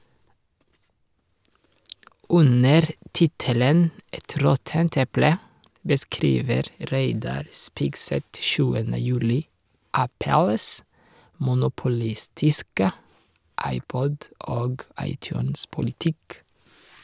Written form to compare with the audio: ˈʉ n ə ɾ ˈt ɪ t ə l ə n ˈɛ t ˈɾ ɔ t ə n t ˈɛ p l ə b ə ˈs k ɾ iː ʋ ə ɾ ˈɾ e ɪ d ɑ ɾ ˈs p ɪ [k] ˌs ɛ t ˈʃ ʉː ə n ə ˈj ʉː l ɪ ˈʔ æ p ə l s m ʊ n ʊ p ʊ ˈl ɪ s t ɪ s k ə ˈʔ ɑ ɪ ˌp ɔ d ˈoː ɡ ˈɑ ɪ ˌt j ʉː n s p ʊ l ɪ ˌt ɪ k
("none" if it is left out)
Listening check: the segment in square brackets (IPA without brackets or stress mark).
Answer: ɡ